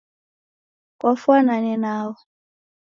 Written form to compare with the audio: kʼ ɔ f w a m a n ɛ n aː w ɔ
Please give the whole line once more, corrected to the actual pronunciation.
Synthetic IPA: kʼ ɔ f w a n a n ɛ n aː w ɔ